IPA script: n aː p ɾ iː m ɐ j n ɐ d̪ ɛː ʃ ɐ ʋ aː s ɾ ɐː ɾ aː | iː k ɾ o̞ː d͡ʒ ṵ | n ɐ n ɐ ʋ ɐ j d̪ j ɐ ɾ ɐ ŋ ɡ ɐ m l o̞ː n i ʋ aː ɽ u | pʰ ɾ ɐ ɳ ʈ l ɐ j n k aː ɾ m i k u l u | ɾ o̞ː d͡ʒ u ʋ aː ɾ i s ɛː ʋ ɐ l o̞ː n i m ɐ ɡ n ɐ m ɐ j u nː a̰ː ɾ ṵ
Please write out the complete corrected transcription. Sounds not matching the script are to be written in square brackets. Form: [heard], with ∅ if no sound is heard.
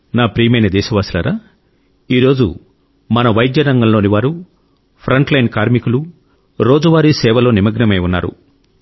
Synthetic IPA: n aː p ɾ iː m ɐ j n ɐ d̪ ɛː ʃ ɐ ʋ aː s [l] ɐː ɾ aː | iː [∅] ɾ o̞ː d͡ʒ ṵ | [m] ɐ n ɐ ʋ ɐ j d̪ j ɐ ɾ ɐ ŋ ɡ ɐ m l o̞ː n i ʋ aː [ɾ] u | pʰ ɾ ɐ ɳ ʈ l ɐ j n k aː ɾ m i k u l u | ɾ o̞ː d͡ʒ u ʋ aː ɾ i s ɛː ʋ ɐ l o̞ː n i m ɐ ɡ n ɐ m ɐ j u nː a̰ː ɾ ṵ